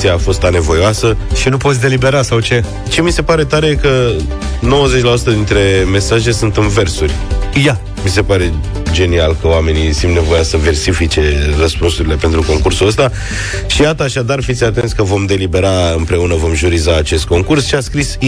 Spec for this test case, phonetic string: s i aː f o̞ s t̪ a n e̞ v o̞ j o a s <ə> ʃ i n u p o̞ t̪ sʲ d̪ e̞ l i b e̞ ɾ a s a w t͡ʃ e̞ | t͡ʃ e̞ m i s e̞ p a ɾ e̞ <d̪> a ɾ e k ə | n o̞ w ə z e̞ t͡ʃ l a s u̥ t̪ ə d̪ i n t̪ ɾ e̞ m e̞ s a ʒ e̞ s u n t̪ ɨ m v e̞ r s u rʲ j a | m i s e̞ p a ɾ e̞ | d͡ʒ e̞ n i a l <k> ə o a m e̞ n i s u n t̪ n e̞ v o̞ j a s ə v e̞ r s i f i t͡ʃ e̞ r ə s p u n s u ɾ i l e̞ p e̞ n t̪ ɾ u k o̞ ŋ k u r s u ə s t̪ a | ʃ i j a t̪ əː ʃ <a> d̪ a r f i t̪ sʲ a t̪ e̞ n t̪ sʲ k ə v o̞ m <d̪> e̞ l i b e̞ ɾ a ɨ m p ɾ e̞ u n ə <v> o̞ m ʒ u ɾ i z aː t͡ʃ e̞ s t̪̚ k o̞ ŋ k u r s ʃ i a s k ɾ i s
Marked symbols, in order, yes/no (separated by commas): yes, no, yes, yes, yes, yes